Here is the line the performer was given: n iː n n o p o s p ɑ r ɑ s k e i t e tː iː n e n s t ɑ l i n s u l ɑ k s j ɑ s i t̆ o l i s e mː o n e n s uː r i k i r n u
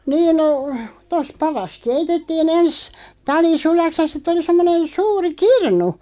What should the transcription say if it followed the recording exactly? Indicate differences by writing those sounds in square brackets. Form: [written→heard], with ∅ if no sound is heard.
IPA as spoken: n iː n n o [p→t] o s p ɑ r ɑ s k e i t e tː iː n e n s t ɑ l i [n→∅] s u l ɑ k s j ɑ s i t̆ o l i s e mː o n e n s uː r i k i r n u